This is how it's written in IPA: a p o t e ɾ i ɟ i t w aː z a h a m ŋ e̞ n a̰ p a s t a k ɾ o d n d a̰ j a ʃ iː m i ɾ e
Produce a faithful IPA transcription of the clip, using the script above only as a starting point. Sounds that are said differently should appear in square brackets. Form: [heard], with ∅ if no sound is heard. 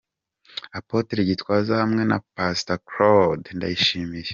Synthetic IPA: a p o t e ɾ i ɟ i t w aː z a h a m ŋ e̞ n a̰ p a s t a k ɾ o d n d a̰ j [i] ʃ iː m i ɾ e